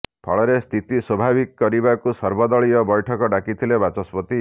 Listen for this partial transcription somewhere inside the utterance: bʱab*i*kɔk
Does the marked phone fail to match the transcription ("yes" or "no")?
no